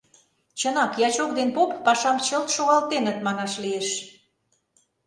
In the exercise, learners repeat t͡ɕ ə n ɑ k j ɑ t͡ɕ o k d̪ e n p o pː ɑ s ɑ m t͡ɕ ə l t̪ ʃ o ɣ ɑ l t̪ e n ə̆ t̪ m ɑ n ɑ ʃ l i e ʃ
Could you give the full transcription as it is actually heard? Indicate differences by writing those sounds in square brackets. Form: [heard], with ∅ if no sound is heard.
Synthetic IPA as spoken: t͡ɕ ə n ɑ k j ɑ t͡ɕ o k d̪ e n p o pː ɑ [ʃ] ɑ m t͡ɕ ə l t̪ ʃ o ɣ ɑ l t̪ e n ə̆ t̪ m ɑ n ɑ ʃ l i e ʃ

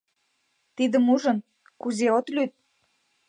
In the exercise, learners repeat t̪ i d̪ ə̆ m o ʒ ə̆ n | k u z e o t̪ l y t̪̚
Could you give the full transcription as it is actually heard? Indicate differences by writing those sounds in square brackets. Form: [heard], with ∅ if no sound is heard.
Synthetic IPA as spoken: t̪ i d̪ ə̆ m [u] ʒ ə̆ n | k u z e o t̪ l y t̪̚

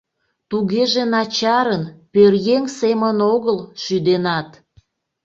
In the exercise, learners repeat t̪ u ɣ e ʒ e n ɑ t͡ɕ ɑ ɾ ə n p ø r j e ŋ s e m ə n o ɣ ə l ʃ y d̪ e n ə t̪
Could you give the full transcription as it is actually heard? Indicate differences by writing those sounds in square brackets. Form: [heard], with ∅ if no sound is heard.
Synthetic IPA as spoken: t̪ u ɣ e ʒ e n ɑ t͡ɕ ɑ ɾ ə n p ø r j e ŋ s e m ə n o ɣ ə l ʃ y d̪ e n [ɑ] t̪

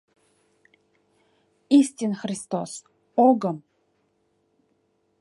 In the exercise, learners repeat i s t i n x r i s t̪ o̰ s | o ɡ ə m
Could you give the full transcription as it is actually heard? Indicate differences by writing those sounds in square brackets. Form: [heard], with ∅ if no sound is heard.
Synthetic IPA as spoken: i s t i n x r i s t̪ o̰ s | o ɡ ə m

